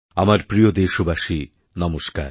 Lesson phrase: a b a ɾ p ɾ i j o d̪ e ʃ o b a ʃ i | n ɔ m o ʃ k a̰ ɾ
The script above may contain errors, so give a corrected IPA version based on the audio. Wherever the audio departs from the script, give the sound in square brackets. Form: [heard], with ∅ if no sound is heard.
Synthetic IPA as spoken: a [m] a ɾ p ɾ i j o d̪ e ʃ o b a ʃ i | n ɔ m o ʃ k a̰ ɾ